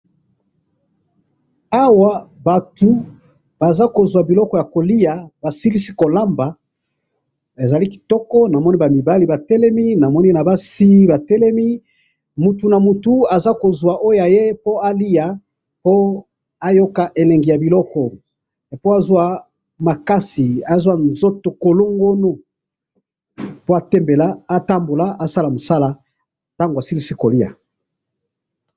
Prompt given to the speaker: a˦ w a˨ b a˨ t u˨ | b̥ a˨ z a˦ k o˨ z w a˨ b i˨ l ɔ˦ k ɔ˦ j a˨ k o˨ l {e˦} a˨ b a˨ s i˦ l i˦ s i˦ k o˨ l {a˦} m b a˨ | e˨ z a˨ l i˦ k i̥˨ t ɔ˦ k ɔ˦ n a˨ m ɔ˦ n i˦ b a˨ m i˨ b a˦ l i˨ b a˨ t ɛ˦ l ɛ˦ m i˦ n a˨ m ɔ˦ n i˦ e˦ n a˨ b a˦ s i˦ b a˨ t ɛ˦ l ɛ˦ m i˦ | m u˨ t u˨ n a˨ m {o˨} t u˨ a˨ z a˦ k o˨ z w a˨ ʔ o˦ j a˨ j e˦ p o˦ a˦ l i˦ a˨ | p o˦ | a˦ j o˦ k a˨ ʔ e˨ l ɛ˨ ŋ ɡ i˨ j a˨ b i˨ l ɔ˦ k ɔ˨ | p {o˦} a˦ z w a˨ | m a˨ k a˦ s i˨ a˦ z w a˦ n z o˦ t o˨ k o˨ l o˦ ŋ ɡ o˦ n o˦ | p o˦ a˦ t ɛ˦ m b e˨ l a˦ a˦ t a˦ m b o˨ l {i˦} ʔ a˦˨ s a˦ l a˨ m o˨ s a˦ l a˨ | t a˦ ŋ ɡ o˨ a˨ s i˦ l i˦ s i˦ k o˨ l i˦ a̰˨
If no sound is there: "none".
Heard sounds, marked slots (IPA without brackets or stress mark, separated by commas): i˦, a˦, u˨, o˦, a˦